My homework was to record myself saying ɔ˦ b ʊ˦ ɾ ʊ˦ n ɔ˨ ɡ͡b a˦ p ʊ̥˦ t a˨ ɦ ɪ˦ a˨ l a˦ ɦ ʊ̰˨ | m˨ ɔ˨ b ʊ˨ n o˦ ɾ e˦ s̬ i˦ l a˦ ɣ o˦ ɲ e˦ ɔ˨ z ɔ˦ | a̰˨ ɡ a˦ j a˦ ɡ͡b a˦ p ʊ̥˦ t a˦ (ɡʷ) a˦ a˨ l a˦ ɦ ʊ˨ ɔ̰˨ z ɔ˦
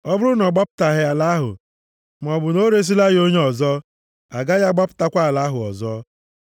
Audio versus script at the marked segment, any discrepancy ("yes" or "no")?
yes